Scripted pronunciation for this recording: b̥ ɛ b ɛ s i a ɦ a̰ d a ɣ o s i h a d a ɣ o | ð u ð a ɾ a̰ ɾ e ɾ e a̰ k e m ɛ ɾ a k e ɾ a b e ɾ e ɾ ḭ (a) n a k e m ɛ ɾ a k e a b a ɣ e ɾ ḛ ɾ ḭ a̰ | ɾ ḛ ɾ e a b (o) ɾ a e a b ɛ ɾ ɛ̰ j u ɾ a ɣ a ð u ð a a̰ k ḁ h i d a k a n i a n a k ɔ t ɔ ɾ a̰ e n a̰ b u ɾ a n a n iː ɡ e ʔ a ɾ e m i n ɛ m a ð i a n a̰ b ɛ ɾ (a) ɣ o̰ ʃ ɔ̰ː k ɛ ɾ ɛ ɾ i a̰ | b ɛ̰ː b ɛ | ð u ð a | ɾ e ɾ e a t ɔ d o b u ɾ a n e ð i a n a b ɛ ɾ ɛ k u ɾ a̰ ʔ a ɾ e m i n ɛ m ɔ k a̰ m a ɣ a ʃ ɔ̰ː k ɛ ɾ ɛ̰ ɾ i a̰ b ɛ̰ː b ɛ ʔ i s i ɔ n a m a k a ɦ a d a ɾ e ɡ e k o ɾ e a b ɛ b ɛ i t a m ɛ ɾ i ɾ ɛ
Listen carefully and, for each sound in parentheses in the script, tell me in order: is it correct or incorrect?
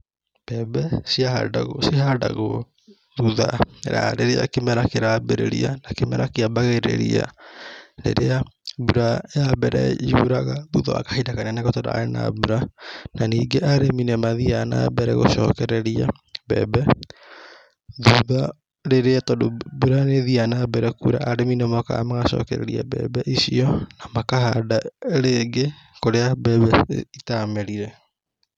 correct, incorrect, incorrect

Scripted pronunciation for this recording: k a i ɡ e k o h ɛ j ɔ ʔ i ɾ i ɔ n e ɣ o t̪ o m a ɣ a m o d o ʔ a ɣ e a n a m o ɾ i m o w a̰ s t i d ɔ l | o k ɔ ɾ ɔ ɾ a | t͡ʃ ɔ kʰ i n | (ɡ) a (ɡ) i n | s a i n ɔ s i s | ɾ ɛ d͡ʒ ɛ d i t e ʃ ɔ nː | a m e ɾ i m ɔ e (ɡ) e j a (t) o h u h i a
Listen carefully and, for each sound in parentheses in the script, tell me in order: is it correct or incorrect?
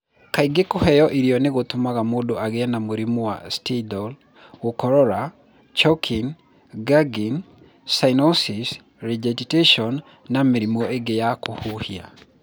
correct, correct, correct, incorrect

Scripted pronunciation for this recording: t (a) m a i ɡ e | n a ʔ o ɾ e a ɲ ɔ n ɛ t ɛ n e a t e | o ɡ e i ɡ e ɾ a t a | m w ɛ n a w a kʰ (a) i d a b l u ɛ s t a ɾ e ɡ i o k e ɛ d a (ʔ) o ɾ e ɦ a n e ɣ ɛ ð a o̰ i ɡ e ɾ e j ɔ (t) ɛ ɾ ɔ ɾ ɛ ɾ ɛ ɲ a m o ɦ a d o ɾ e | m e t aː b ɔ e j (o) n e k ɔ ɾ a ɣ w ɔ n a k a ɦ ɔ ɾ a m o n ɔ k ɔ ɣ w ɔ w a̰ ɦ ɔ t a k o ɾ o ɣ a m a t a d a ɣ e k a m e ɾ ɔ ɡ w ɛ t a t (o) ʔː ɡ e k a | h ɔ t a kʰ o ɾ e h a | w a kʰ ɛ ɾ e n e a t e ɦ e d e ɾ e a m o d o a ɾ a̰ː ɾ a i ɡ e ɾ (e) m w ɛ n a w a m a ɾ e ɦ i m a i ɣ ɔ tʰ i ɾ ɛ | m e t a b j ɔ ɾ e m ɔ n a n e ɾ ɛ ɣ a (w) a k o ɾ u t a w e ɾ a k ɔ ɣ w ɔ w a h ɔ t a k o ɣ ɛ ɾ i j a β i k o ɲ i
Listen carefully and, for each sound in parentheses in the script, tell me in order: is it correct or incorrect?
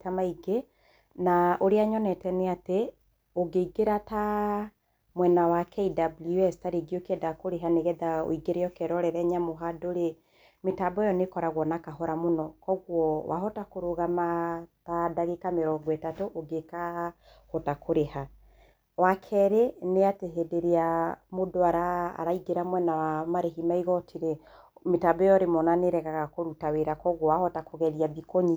correct, incorrect, incorrect, incorrect, incorrect, correct, incorrect, incorrect

